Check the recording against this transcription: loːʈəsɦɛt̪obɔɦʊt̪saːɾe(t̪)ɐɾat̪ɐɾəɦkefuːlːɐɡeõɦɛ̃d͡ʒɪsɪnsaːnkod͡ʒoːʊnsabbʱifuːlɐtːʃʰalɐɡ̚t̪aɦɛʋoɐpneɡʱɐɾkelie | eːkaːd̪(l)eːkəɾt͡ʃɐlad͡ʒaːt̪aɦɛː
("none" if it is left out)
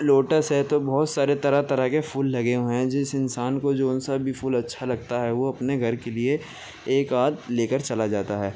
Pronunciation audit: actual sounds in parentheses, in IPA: t̪, l

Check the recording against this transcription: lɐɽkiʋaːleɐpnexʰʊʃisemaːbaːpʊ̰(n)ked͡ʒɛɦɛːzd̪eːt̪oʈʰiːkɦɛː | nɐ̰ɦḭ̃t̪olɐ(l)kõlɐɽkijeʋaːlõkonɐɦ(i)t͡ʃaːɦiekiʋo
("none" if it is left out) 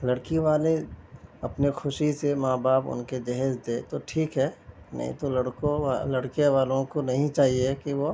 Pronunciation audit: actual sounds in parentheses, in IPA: n, ɽ, ĩ

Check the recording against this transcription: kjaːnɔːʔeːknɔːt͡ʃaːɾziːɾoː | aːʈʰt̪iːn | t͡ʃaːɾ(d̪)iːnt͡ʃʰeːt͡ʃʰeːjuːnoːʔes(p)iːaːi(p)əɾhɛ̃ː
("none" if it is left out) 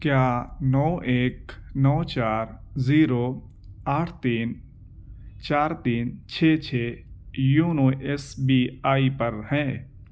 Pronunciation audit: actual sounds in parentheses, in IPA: t̪, b, p

